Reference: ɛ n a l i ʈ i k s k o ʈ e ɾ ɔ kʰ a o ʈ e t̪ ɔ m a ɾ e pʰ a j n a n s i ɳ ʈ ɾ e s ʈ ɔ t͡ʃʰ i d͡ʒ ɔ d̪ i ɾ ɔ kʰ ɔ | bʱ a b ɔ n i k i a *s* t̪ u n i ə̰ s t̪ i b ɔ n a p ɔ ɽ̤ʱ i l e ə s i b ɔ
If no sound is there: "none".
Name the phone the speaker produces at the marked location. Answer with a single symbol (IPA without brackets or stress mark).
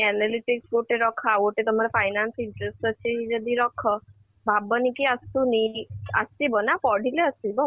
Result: s